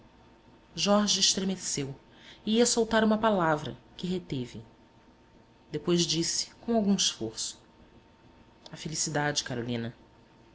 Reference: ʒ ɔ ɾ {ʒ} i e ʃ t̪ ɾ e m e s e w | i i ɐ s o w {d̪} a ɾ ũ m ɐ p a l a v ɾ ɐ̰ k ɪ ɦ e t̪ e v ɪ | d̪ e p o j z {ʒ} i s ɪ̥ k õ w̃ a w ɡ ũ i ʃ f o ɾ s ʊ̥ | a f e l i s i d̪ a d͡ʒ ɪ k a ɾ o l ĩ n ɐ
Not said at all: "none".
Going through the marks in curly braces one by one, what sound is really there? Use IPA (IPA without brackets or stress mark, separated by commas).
ʒ, t̪, d͡ʒ